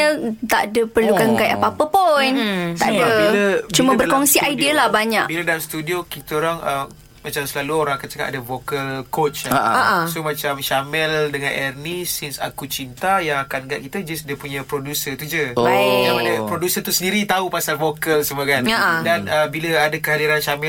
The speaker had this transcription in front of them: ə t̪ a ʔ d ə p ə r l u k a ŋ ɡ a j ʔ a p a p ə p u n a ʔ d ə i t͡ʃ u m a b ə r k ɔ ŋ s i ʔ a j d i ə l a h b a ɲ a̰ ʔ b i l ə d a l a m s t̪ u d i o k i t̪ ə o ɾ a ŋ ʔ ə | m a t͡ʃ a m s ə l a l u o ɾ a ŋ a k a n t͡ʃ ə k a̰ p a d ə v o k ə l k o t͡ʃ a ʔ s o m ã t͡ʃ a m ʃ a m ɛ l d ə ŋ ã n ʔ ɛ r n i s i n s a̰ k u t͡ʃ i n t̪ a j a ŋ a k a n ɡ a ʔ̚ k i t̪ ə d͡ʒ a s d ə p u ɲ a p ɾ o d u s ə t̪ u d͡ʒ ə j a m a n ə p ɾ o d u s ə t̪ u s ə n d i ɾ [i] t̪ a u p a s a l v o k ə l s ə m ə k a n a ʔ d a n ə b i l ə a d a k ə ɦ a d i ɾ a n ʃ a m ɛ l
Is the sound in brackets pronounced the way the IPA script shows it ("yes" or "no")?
yes